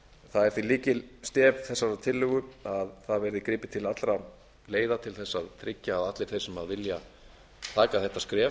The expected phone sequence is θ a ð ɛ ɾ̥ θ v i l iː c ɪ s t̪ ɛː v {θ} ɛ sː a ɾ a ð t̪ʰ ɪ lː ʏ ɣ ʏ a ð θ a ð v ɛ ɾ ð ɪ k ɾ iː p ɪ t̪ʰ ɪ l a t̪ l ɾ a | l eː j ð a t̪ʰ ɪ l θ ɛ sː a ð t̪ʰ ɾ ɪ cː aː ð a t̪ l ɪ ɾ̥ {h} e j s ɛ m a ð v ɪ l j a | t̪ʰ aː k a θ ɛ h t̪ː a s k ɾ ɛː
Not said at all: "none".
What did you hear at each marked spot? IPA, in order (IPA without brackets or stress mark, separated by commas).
θ, θ